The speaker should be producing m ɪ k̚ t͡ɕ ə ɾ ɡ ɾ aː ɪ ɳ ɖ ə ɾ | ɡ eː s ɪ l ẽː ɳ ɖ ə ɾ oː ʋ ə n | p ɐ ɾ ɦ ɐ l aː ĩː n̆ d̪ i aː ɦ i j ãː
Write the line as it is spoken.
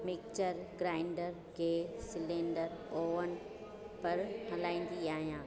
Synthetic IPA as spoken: m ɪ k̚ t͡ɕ ə ɾ ɡ ɾ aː ɪ ɳ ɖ ə ɾ | ɡ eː s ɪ l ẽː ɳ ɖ ə ɾ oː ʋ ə n | p ɐ ɾ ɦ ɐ l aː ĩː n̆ d̪ i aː ɦ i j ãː